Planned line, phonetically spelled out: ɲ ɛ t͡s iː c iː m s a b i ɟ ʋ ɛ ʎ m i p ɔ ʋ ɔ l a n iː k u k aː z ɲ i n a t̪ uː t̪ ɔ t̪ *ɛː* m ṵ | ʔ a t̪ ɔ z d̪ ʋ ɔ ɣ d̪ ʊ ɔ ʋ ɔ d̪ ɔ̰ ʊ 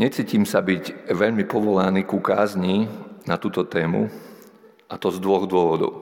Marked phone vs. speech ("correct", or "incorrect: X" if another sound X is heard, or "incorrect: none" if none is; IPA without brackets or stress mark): correct